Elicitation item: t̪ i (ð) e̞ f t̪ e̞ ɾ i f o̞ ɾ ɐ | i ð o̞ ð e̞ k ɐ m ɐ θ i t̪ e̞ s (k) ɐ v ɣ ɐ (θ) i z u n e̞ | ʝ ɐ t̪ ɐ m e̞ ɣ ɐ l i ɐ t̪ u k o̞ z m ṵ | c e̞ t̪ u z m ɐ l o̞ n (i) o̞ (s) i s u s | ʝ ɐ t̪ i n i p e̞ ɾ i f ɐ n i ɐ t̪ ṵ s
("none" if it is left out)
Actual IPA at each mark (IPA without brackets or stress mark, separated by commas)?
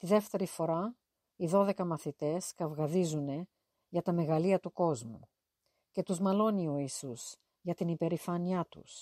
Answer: ð, k, ð, i, none